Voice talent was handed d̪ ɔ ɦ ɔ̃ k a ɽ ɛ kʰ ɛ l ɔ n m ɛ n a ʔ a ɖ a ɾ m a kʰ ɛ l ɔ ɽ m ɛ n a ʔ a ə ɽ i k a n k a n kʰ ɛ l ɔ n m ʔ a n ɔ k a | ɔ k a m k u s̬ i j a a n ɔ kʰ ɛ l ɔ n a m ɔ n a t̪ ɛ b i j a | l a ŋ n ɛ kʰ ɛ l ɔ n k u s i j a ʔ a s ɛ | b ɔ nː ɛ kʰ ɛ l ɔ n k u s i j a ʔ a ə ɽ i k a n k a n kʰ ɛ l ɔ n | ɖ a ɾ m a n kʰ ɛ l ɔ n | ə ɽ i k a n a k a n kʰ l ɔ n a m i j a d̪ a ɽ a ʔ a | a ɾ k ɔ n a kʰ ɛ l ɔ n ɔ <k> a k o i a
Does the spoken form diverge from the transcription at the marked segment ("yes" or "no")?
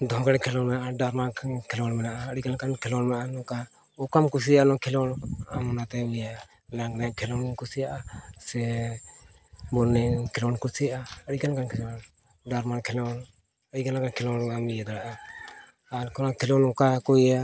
no